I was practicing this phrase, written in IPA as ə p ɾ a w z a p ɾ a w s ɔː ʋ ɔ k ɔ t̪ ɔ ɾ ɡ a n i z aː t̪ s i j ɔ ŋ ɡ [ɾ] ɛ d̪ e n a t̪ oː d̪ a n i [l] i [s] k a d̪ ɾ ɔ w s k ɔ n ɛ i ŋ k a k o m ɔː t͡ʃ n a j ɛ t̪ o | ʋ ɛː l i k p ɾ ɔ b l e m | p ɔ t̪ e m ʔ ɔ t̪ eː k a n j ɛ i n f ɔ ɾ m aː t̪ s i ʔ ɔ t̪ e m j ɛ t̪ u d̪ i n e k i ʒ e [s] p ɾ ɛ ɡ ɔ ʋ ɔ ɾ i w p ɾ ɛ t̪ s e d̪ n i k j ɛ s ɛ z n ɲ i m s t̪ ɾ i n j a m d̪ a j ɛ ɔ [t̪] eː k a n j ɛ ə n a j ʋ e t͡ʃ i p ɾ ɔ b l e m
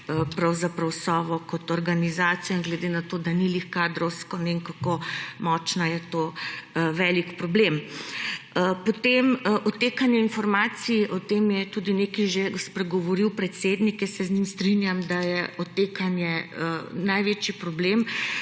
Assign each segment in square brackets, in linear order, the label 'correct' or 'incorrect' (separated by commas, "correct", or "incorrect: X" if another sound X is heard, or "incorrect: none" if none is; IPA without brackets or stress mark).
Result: incorrect: l, correct, incorrect: x, correct, correct